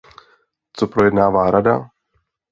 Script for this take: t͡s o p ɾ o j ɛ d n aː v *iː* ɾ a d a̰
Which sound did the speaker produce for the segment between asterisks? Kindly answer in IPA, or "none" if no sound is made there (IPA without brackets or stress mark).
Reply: aː